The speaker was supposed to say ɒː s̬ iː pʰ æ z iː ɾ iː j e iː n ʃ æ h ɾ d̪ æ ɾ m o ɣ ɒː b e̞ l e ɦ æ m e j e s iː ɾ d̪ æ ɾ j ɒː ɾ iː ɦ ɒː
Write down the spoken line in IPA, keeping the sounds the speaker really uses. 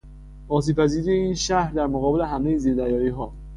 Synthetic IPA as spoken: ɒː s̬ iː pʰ æ z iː ɾ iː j e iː n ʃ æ h ɾ d̪ æ ɾ m o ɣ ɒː b e̞ l e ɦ æ m e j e z iː ɾ d̪ æ ɾ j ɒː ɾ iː ɦ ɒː